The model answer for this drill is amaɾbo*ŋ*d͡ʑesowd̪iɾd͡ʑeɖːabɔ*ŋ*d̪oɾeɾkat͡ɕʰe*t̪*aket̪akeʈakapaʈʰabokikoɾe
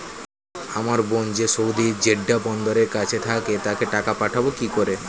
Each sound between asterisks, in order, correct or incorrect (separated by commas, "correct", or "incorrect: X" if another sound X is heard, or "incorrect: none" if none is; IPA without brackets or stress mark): incorrect: n, incorrect: n, incorrect: t̪ʰ